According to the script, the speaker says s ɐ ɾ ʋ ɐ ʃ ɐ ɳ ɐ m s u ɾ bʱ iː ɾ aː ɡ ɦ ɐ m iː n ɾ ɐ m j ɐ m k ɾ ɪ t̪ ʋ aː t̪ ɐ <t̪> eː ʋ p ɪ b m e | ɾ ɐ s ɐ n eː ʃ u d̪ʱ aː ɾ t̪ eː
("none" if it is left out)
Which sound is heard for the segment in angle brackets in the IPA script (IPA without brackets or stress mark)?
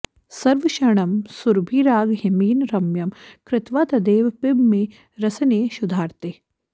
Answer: d̪